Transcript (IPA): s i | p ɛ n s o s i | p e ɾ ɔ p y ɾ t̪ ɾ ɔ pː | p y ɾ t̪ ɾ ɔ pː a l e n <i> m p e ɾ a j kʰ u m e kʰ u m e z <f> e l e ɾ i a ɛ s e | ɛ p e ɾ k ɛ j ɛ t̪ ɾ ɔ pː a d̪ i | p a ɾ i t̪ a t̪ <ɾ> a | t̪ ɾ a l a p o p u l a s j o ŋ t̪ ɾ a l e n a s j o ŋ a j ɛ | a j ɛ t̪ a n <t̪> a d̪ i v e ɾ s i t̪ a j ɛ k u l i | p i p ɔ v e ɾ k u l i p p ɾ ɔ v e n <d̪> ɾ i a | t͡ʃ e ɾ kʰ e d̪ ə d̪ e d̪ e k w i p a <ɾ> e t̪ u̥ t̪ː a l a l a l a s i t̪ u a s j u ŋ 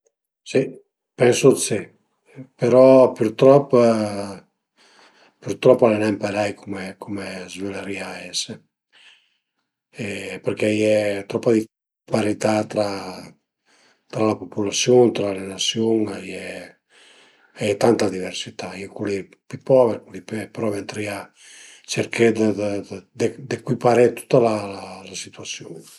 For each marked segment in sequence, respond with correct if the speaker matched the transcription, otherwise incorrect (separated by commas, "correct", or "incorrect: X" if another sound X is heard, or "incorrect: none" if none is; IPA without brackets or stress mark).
incorrect: ɛ, incorrect: v, correct, correct, incorrect: t̪, correct